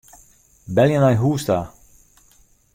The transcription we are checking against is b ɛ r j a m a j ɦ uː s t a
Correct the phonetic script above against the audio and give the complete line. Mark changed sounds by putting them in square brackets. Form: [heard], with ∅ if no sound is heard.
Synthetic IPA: b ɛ [l] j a [n] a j ɦ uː s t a

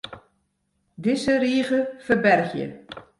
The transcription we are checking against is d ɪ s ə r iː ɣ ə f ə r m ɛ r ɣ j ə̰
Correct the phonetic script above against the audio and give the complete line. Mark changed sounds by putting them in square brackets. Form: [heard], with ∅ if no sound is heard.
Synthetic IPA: d ɪ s ə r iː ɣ ə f ə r [b] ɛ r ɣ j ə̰

